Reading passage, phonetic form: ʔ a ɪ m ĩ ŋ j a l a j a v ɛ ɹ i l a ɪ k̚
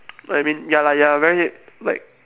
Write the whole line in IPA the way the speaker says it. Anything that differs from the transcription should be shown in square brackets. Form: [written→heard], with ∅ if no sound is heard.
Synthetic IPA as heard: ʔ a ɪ m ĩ [ŋ→n] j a l a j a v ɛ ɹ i l a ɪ k̚